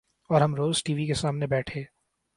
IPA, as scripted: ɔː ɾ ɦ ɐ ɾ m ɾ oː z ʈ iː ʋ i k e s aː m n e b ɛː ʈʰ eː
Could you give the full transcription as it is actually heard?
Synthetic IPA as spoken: ɔː ɾ ɦ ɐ m ɾ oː z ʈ iː ʋ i k e s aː m n e b ɛː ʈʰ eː